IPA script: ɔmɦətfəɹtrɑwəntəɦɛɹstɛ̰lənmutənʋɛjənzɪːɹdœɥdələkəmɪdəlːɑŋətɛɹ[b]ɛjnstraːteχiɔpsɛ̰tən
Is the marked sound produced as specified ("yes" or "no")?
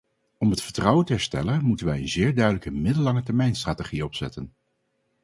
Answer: no